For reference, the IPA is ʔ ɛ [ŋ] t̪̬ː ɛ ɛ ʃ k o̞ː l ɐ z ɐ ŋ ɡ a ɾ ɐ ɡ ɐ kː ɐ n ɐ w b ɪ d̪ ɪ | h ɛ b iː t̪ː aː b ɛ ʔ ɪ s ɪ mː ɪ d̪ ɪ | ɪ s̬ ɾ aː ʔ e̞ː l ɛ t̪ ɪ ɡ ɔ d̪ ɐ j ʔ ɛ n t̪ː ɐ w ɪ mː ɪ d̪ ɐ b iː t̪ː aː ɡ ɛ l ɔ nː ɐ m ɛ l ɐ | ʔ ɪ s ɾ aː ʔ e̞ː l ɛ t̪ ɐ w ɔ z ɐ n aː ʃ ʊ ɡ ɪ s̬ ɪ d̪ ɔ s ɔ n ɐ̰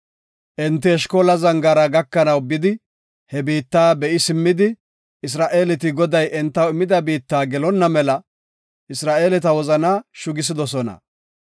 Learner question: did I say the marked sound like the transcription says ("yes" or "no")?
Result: no